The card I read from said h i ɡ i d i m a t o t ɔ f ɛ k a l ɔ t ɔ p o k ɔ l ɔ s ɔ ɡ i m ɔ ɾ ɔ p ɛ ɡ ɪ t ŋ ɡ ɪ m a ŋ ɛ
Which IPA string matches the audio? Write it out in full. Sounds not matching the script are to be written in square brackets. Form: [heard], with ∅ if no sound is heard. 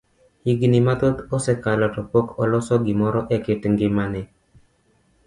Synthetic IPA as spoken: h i ɡ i [n] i m a t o t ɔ [s] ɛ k a l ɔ t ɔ p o k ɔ l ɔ s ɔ ɡ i m ɔ ɾ ɔ [ʔ] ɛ [k] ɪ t ŋ ɡ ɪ m a [n] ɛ